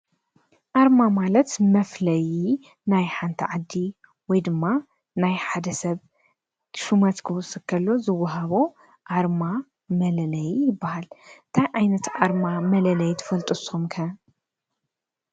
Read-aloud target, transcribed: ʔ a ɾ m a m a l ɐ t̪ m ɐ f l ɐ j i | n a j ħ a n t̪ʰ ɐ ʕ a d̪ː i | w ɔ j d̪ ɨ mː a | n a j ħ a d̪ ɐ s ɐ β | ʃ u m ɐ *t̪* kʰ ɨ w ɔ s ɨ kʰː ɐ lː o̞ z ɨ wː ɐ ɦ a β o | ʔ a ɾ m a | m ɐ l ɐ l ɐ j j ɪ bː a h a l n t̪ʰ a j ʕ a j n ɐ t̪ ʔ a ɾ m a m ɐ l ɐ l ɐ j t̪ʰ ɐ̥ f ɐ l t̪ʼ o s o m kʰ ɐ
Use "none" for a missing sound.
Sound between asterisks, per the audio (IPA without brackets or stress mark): t̪